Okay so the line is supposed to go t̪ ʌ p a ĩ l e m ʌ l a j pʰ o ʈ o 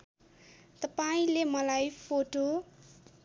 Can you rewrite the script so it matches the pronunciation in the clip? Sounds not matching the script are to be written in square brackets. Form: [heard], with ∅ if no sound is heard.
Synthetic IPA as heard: t̪ ʌ p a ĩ l e m ʌ l a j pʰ o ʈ o